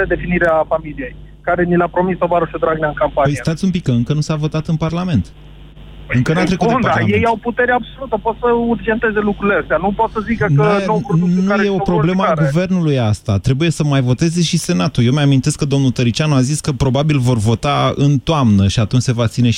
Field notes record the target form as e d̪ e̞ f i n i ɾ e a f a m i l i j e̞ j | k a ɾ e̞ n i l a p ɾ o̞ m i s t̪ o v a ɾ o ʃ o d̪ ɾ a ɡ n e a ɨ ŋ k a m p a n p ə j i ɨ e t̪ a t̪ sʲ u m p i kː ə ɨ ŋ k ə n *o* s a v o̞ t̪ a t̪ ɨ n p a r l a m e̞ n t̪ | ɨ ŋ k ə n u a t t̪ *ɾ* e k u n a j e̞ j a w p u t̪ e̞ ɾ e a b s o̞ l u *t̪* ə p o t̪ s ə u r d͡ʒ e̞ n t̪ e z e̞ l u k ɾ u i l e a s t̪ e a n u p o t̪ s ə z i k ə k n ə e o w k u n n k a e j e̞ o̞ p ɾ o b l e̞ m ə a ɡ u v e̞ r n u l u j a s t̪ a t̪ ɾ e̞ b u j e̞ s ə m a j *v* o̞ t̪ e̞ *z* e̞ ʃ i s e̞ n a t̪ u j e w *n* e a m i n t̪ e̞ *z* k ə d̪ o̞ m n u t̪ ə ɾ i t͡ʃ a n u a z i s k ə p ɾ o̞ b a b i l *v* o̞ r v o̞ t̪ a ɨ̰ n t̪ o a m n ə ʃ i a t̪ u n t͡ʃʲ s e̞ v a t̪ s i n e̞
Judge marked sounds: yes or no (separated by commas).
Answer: no, yes, yes, yes, yes, no, no, yes